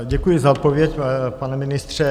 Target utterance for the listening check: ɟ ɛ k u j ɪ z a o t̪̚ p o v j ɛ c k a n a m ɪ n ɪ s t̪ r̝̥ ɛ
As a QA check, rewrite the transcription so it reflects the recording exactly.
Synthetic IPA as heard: ɟ ɛ k u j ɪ z a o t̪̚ p o v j ɛ c p a n ɛ m ɪ n ɪ s t̪ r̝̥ ɛ

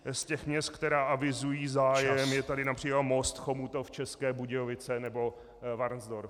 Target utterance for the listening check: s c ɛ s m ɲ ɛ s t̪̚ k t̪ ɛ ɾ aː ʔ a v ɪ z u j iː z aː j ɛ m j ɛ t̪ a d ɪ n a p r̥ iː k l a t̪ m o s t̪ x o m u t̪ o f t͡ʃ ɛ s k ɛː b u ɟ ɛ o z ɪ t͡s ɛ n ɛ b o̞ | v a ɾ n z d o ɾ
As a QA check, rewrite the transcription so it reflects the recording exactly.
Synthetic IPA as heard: s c ɛ x m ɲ ɛ s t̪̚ k t̪ ɛ ɾ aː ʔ a v ɪ z u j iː z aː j ɛ m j ɛ t̪ a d ɪ n a p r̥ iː k l a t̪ m o s t̪ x o m u t̪ o f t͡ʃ ɛ s k ɛː b u ɟ ɛ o v ɪ t͡s ɛ n ɛ b o̞ | v a ɾ n z d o ɾ

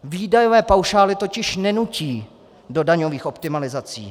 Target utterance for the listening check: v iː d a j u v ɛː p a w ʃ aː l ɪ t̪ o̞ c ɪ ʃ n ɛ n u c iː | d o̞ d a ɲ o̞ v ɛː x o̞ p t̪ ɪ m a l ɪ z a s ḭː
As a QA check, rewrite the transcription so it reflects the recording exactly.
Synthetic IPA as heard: v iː d a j o v ɛː p a w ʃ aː l ɪ t̪ o̞ c ɪ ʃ n ɛ n u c iː | d o̞ d a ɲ o̞ v iː x o̞ p t̪ ɪ m a l ɪ z a t͡s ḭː

